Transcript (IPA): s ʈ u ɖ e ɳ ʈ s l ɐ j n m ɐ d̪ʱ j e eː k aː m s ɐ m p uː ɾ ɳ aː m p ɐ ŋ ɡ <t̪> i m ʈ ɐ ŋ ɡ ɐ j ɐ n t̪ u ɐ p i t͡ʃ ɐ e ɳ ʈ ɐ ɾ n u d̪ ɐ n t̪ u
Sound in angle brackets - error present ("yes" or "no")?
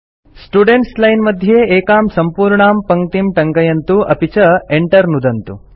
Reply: no